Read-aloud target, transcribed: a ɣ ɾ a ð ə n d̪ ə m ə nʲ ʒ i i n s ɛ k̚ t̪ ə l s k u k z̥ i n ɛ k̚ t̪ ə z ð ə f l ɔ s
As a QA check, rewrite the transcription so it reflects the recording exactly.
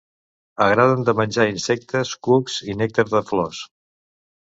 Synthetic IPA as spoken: ə ɣ ɾ a ð ə n d̪ ə m ə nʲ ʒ a i n s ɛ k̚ t̪ ə s k u k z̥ i n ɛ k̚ t̪ ə z ð ə f l ɔ s